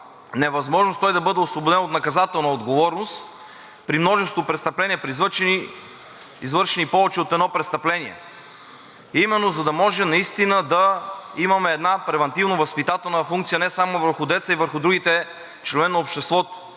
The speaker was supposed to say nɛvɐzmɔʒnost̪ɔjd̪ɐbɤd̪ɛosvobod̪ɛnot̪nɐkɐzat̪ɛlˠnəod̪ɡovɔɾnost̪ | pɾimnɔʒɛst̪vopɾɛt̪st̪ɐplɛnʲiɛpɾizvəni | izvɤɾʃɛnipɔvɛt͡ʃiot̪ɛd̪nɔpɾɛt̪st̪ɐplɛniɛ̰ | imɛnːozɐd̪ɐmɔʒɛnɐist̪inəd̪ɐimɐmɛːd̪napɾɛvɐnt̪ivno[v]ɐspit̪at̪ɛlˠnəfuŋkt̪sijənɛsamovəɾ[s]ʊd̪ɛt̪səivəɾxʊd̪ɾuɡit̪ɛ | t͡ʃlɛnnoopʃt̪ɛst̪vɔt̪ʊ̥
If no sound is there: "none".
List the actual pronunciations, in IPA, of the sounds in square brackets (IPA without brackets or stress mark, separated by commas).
v, x